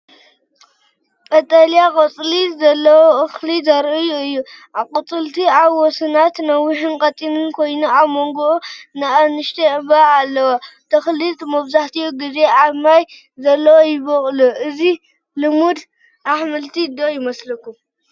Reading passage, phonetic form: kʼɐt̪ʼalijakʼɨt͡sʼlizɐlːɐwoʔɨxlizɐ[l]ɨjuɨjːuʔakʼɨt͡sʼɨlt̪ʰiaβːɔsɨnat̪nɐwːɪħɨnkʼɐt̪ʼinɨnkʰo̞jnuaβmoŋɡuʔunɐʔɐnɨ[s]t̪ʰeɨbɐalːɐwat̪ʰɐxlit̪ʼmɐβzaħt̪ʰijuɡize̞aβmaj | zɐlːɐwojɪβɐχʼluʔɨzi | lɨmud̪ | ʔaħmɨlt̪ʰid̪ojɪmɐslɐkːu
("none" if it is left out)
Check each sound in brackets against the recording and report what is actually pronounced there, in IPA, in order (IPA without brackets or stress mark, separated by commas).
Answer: ɾ, ʃ